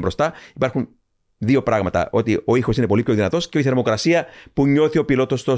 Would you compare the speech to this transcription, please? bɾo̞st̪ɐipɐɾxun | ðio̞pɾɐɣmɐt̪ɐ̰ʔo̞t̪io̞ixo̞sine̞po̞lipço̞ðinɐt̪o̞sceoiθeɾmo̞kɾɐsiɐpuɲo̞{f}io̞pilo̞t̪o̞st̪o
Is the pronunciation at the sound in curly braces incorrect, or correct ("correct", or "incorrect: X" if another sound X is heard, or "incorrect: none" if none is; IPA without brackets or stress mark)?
incorrect: θ